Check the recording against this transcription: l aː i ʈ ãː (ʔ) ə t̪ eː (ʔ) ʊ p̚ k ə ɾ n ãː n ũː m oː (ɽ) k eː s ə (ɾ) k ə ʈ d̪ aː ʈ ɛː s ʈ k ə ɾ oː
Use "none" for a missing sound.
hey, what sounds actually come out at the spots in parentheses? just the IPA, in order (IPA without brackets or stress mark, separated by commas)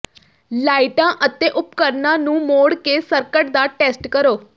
ʔ, ʔ, ɽ, ɾ